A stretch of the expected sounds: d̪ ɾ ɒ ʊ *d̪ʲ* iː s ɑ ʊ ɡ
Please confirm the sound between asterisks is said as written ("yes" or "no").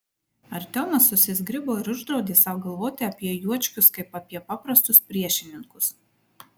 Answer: yes